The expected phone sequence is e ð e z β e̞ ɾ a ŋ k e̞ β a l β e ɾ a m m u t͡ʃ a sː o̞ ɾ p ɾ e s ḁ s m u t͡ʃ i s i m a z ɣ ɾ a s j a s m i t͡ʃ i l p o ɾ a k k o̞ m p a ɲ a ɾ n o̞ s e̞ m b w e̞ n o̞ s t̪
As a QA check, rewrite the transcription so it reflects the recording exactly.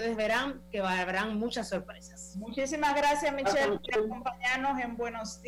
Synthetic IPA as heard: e ð e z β e̞ ɾ a ŋ k e̞ β a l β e ɾ a ŋ m u t͡ʃ a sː o̞ ɾ p ɾ e s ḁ s m u t͡ʃ i s i m a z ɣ ɾ a s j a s m i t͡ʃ e l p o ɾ a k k o̞ m p a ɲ a ɾ n o̞ s e̞ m b w e̞ n o̞ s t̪